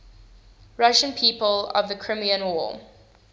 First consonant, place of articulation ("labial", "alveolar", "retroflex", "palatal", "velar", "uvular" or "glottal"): alveolar